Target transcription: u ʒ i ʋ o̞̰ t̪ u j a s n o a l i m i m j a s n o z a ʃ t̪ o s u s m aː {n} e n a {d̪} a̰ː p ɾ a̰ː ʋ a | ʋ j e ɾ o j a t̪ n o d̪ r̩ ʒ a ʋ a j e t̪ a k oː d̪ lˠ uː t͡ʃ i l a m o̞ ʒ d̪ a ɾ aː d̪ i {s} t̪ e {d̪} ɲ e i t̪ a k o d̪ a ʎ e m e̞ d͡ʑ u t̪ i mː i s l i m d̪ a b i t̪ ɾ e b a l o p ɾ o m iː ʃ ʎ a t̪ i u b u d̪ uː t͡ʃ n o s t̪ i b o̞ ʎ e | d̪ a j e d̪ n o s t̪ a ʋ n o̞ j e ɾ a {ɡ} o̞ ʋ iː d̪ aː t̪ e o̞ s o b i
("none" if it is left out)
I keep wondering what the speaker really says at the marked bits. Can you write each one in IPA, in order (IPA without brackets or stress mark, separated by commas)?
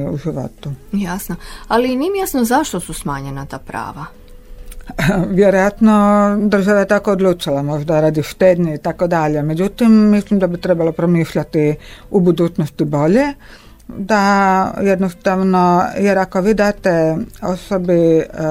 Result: ɲ, t̪, ʃ, d̪, k